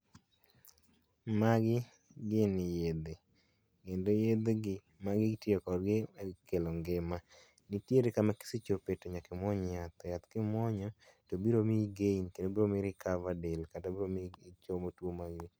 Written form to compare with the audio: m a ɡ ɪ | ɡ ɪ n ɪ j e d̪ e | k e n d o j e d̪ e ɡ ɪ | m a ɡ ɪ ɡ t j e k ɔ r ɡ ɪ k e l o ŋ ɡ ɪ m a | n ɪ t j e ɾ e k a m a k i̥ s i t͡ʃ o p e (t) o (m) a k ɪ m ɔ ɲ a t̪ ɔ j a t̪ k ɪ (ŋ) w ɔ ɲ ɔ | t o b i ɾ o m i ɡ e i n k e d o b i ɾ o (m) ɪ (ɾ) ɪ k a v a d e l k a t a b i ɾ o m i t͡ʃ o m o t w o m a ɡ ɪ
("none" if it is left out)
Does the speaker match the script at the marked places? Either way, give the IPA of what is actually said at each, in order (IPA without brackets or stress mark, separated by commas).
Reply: t, ɲ, m, m, ɾ